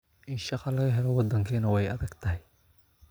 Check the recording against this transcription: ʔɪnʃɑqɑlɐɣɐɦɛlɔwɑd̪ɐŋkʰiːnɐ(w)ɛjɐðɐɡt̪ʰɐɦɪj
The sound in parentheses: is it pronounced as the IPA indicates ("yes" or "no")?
yes